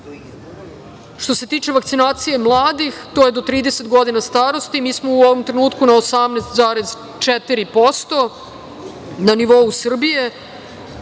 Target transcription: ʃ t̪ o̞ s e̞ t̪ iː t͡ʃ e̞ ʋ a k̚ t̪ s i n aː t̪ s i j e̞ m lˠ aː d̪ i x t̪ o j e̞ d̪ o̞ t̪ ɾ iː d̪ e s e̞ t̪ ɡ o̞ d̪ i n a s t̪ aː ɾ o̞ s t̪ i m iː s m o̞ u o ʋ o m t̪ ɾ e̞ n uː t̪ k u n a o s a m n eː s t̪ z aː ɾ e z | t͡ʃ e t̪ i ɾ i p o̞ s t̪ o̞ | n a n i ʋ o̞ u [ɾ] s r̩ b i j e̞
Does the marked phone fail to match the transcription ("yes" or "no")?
yes